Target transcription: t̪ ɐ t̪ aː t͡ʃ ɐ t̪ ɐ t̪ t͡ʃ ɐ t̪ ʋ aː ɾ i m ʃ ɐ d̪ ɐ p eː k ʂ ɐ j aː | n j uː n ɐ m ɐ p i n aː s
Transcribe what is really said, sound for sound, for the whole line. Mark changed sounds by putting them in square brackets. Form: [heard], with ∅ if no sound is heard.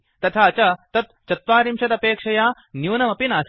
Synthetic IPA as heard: t̪ ɐ [t̪ʰ] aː t͡ʃ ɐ t̪ ɐ t̪ t͡ʃ ɐ t̪ ʋ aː ɾ i m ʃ ɐ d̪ ɐ p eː k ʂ ɐ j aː | n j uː n ɐ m ɐ p i n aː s